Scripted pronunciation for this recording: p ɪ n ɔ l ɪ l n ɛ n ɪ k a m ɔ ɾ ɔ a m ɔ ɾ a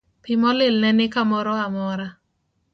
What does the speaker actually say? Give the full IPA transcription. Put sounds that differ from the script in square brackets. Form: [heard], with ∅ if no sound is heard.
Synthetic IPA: p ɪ [m] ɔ l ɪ l n ɛ n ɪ k a m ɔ ɾ ɔ a m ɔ ɾ a